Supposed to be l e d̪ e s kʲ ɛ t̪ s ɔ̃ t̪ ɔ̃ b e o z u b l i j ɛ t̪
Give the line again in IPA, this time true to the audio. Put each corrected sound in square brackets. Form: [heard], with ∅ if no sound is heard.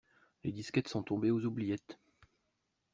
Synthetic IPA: l e d̪ [i] s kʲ ɛ t̪ s ɔ̃ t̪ ɔ̃ b e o z u b l i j ɛ t̪